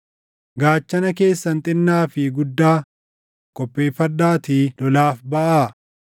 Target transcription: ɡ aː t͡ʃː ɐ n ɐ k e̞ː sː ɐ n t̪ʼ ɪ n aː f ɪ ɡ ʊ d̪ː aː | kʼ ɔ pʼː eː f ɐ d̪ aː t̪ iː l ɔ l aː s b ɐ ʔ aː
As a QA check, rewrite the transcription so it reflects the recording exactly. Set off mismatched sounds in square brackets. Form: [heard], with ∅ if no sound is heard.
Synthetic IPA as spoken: ɡ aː t͡ʃː ɐ n ɐ k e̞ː sː ɐ n t̪ʼ ɪ [nː] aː f ɪ ɡ ʊ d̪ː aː | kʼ ɔ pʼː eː f ɐ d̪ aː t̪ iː l ɔ l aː [f] b ɐ ʔ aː